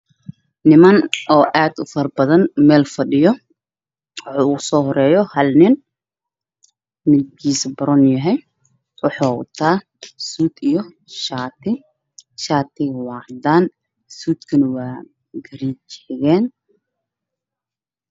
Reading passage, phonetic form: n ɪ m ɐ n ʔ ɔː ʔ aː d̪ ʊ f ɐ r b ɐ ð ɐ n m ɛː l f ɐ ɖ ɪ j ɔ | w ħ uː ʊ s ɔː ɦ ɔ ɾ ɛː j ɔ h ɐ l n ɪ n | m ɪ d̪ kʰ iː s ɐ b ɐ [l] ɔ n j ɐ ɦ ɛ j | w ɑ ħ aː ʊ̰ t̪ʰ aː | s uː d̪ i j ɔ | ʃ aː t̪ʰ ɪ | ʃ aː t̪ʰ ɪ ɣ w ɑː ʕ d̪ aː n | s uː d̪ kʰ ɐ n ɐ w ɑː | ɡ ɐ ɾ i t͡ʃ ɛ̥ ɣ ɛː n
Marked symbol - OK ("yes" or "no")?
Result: no